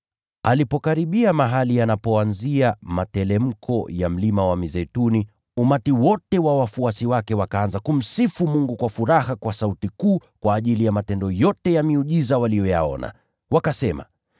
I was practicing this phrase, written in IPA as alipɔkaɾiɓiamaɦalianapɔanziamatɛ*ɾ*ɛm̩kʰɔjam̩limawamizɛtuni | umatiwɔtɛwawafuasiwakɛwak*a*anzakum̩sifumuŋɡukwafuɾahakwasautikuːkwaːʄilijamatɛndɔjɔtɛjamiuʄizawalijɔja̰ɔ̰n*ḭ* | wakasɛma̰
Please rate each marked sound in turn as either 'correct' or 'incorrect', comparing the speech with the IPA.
incorrect, correct, incorrect

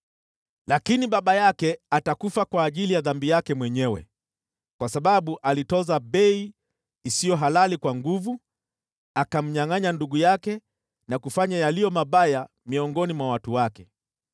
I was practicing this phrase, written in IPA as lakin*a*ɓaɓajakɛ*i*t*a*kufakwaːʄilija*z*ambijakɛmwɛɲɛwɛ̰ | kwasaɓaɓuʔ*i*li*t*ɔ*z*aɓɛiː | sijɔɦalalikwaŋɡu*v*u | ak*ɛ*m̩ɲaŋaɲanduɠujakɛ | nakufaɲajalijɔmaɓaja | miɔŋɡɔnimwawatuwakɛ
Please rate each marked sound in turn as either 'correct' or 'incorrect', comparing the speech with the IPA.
incorrect, incorrect, correct, incorrect, incorrect, correct, correct, correct, incorrect

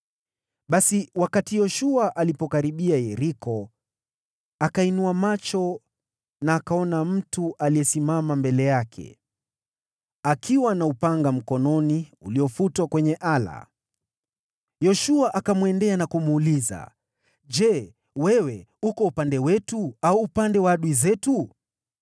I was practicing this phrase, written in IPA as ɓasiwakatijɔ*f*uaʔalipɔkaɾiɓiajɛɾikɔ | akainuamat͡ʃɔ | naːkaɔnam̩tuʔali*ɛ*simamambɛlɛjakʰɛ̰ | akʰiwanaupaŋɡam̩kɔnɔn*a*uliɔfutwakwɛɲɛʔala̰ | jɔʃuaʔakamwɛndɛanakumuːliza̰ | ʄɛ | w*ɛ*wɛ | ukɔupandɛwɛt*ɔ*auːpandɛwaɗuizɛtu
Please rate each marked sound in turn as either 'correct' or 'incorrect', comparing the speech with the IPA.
incorrect, correct, incorrect, correct, incorrect

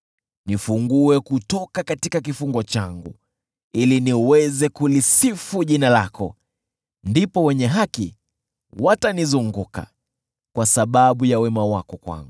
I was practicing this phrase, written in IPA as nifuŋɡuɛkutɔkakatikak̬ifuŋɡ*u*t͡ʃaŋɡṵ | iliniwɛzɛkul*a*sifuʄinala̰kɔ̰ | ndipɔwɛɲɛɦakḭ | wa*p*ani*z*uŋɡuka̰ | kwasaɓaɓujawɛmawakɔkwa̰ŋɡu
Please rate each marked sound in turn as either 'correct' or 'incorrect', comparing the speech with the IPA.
incorrect, incorrect, incorrect, correct

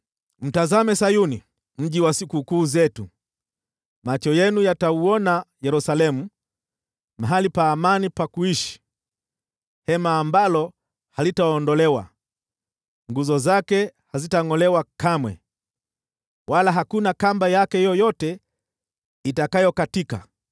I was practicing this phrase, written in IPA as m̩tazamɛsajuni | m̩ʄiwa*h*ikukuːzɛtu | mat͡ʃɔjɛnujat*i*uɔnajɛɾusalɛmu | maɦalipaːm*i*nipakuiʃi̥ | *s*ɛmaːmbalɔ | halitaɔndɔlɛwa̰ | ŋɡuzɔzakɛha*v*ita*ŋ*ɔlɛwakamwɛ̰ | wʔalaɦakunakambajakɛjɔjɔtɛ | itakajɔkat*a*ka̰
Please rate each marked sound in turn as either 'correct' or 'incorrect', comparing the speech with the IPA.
incorrect, incorrect, incorrect, incorrect, incorrect, correct, incorrect

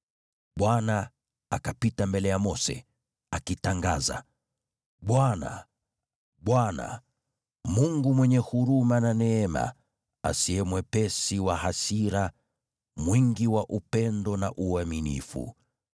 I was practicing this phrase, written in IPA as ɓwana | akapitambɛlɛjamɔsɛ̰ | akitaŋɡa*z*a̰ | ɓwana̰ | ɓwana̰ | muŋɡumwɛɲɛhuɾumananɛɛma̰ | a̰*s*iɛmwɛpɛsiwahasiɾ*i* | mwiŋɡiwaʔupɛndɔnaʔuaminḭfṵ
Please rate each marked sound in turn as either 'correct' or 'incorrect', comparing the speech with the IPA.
correct, correct, incorrect

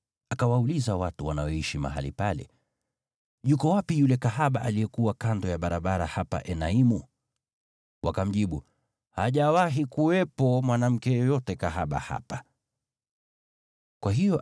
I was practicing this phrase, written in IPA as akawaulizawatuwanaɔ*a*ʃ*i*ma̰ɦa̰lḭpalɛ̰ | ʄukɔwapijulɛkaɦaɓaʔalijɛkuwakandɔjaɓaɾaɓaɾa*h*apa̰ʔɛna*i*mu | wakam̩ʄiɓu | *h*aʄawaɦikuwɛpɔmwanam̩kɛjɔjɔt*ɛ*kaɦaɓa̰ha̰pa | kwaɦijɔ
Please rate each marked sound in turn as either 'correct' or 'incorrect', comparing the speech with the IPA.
incorrect, correct, correct, correct, correct, correct

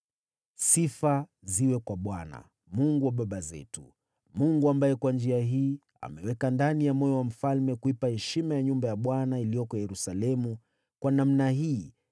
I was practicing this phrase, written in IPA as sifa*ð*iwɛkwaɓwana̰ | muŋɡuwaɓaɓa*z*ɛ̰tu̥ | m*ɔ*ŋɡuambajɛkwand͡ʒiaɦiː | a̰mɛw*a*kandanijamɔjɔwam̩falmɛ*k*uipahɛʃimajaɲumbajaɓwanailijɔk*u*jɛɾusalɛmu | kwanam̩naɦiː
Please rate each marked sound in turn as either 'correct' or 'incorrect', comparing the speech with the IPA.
incorrect, correct, incorrect, incorrect, correct, incorrect

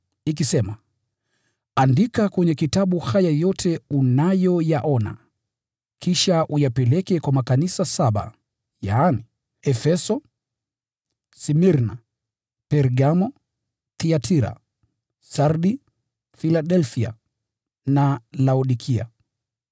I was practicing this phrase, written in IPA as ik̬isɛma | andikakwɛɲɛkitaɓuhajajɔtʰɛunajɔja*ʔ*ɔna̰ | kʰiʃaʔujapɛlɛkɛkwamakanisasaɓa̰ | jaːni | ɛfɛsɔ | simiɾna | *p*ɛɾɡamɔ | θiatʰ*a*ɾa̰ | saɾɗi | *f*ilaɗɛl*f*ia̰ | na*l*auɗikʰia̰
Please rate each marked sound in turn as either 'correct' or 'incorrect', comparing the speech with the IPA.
correct, correct, incorrect, correct, correct, correct

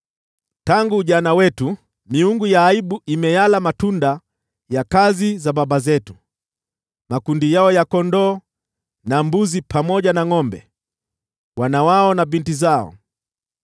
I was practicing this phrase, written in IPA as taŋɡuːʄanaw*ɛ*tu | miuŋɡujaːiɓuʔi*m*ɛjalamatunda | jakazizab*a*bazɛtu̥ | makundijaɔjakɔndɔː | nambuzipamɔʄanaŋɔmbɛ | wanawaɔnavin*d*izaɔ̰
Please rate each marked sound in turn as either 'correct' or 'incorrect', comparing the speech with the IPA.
correct, correct, correct, incorrect

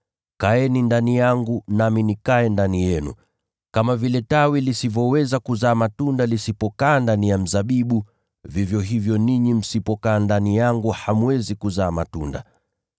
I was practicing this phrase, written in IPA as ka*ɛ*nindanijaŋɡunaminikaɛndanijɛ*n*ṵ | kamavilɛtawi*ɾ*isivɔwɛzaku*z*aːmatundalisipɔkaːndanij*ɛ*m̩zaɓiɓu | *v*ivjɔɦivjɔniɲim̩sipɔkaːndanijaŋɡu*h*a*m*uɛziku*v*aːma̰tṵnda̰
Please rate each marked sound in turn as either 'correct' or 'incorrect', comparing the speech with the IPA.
correct, correct, incorrect, correct, incorrect, correct, correct, correct, incorrect

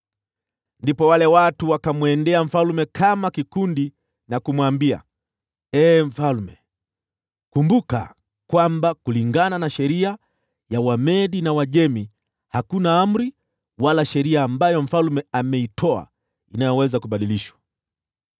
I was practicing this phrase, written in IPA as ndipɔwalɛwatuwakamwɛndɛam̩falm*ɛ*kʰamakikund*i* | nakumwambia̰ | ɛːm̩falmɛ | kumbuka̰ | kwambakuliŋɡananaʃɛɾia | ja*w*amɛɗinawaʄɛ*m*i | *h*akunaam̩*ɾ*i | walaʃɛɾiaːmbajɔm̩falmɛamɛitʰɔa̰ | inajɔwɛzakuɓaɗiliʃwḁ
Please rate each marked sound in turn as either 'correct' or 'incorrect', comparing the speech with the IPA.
correct, correct, correct, correct, correct, correct

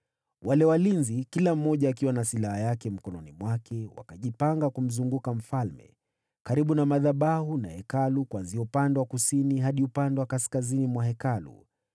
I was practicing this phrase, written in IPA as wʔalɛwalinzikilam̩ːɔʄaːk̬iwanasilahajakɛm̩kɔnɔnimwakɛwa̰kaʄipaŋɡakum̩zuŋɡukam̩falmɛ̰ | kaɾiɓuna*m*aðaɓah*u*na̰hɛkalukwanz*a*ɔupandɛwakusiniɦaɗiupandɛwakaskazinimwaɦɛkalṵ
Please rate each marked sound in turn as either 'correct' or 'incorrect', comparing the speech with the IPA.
correct, correct, incorrect

